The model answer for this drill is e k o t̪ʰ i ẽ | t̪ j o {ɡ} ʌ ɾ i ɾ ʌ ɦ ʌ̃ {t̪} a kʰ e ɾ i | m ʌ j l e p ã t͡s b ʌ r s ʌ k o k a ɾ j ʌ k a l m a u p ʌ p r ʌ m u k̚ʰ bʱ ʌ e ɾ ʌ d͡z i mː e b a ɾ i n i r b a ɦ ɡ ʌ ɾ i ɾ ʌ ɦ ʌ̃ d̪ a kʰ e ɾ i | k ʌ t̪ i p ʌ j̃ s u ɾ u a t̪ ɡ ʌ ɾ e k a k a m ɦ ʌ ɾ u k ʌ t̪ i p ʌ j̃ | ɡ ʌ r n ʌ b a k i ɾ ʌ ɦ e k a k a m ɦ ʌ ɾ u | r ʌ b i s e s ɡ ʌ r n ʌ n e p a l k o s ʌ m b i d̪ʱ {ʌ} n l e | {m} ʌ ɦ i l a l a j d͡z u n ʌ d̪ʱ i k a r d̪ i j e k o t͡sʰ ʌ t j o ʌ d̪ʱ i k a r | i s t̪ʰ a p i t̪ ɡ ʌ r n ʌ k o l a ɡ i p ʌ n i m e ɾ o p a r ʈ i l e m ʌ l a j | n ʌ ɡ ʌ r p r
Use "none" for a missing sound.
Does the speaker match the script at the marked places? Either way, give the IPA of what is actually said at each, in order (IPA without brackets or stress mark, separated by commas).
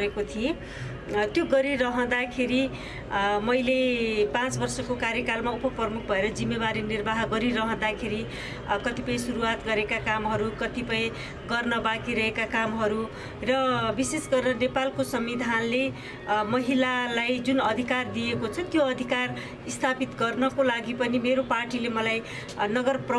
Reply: ɡ, d̪, a, m